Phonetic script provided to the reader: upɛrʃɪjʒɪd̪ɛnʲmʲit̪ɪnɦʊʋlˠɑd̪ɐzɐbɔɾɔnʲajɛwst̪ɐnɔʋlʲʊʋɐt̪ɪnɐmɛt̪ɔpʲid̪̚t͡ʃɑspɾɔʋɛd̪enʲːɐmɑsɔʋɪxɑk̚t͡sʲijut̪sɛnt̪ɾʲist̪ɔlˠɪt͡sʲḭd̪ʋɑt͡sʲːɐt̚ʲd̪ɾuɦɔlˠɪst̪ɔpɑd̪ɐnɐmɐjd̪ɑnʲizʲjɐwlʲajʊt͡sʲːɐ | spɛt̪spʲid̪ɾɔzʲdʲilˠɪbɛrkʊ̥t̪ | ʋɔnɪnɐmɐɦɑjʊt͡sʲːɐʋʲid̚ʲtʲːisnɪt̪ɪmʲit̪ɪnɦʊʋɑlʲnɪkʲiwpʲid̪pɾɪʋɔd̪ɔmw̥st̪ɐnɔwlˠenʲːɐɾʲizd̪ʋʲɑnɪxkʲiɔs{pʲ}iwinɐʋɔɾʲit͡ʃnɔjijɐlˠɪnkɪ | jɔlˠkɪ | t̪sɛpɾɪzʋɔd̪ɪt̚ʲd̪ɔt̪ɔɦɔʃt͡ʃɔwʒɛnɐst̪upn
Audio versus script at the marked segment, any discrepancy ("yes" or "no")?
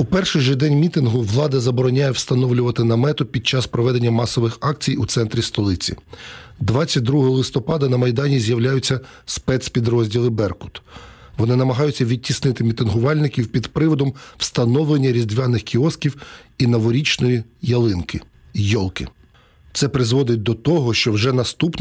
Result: yes